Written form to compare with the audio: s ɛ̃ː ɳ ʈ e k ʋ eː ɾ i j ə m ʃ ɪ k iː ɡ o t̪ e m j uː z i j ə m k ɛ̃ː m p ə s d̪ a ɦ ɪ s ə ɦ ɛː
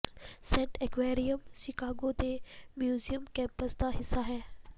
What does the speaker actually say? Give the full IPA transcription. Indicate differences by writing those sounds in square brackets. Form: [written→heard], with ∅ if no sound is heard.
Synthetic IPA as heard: s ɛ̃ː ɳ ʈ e k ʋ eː ɾ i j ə m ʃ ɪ k [iː→aː] ɡ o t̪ e m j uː z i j ə m k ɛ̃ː m p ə s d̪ a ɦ ɪ s [ə→a] ɦ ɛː